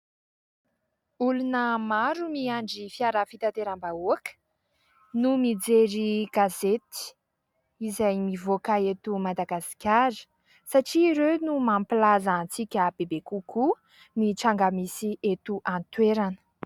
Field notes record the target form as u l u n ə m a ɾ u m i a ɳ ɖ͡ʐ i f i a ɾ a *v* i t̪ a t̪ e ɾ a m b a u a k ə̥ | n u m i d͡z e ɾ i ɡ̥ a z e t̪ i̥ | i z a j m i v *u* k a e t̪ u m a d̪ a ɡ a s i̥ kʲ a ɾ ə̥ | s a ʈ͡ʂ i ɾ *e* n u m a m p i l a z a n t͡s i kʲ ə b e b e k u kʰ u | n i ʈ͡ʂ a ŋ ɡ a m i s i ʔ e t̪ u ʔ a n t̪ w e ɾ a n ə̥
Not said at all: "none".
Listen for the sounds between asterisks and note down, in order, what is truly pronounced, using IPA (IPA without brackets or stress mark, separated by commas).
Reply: f, o, e